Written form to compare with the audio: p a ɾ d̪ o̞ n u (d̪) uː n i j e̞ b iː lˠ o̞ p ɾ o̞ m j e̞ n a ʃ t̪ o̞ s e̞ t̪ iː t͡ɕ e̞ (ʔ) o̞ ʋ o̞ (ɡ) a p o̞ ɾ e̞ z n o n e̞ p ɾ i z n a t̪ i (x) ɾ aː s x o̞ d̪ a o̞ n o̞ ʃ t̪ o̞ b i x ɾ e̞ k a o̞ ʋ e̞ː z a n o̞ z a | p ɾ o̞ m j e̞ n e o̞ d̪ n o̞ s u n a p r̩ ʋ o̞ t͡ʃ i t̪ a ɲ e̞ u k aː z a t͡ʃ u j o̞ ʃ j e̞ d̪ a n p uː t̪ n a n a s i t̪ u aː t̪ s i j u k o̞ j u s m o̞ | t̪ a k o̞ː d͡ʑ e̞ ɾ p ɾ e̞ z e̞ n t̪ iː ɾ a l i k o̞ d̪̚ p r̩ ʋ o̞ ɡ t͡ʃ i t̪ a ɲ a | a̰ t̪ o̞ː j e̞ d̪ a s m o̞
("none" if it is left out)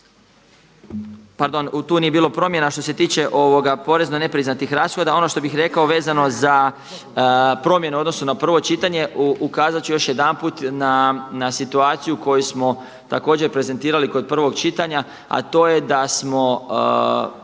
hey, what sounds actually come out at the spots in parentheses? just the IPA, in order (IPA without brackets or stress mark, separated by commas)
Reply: t̪, ʔ, ɡ, x